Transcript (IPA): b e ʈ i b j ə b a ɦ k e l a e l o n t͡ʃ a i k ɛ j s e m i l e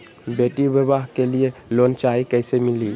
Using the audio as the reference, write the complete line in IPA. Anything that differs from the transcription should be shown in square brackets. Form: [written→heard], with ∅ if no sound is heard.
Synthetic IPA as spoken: b e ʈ i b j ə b a ɦ k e l [a→i] e l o n t͡ʃ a i k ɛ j s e m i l [e→i]